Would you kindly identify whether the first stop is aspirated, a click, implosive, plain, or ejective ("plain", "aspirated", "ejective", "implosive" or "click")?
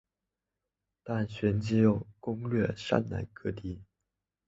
plain